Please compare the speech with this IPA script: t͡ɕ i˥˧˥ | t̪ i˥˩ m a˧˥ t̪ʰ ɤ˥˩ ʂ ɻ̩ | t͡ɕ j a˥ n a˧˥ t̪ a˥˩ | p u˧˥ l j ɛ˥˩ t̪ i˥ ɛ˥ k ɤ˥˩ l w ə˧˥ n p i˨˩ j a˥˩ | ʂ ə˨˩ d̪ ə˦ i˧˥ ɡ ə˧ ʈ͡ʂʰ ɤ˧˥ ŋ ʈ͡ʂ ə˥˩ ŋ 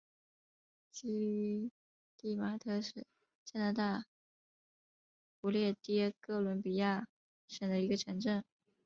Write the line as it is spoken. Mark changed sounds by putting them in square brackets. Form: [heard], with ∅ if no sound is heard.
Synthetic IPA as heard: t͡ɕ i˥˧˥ | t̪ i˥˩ m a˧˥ t̪ʰ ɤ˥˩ ʂ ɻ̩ | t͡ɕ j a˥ n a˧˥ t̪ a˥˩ | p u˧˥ l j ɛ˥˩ t̪ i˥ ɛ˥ k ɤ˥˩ l w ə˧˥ n p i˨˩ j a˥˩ | ʂ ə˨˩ d̪ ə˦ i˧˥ ɡ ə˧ ʈ͡ʂʰ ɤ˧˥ ŋ ʈ͡ʂ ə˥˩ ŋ